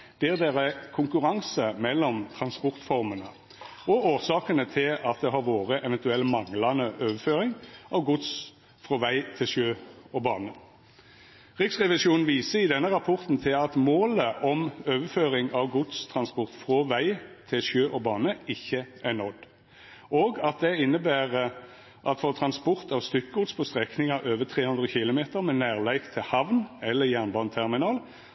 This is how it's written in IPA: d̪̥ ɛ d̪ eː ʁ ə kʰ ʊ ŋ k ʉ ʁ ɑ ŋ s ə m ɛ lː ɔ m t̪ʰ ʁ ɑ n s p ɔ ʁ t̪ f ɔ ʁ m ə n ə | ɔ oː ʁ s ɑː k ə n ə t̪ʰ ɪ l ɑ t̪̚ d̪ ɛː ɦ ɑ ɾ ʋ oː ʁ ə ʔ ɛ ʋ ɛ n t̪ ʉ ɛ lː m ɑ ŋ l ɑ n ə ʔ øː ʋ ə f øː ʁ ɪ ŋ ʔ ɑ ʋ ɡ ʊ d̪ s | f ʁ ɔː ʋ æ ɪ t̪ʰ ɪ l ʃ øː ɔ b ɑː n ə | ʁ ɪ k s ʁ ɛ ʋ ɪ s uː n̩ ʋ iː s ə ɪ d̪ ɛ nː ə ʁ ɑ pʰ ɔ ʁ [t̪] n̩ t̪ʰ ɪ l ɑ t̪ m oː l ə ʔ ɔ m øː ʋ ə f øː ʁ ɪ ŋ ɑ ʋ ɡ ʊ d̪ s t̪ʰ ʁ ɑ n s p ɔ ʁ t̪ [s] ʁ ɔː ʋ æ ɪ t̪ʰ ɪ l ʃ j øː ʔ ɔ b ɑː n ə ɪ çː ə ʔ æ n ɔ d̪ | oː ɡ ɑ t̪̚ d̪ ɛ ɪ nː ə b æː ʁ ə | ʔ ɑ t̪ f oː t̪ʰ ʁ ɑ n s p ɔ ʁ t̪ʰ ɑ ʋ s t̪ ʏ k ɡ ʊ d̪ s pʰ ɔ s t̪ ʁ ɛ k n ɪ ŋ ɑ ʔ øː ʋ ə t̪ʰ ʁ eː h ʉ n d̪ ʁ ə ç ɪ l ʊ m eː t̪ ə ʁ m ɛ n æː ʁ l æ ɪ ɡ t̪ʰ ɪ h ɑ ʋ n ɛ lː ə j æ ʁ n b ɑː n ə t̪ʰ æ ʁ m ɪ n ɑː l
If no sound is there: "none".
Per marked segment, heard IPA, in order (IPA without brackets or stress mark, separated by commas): t̪, f